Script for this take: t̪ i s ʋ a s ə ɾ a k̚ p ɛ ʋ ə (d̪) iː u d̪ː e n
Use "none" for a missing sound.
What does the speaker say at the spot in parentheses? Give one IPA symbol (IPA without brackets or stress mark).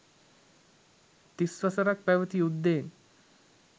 t̪